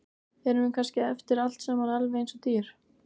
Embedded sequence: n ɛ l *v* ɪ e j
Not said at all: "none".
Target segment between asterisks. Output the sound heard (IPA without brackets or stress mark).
v